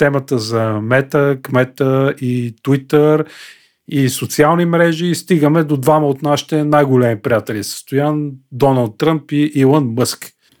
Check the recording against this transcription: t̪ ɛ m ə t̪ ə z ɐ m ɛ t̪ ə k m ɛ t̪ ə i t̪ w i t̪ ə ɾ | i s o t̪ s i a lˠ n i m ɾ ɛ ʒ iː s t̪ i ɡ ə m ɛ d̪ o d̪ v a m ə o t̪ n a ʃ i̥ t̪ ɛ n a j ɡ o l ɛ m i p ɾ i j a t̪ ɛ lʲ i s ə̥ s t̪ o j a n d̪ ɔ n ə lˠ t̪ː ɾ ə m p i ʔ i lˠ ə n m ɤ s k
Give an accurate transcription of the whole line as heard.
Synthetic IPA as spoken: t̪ ɛ m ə t̪ ə z ɐ m ɛ t̪ ə k m ɛ t̪ ə i t̪ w i t̪ ə ɾ | i s o t̪ s i a lˠ n i m ɾ ɛ ʒ iː s t̪ i ɡ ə m ɛ d̪ o d̪ v a m ə o t̪ n a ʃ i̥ t̪ ɛ n a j ɡ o l ɛ m i p ɾ i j a t̪ ɛ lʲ i s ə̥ s t̪ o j a n d̪ ɔ n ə lˠ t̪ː ɾ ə m p i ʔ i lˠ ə n m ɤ s k